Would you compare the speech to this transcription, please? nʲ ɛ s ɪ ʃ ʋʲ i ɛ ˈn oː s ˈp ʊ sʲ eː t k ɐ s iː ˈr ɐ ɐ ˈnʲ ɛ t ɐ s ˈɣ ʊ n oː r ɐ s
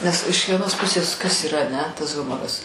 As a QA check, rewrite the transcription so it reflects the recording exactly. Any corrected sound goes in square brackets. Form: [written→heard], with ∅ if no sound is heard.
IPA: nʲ ɛ s ɪ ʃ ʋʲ i ɛ ˈn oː s ˈp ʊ sʲ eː [t→s] k ɐ s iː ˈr ɐ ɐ ˈnʲ ɛ t ɐ s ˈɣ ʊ [n→m] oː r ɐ s